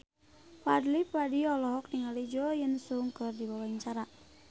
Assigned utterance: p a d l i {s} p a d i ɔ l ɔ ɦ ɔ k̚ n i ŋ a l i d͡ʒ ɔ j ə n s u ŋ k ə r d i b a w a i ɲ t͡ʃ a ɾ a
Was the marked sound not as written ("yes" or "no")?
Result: yes